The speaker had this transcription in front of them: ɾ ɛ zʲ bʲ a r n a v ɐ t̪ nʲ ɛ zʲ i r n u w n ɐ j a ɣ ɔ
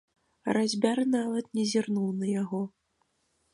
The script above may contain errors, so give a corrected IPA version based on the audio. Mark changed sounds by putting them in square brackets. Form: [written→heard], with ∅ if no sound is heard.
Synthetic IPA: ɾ [ɛ→a] zʲ bʲ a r n a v ɐ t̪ nʲ ɛ zʲ i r n u w n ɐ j a ɣ ɔ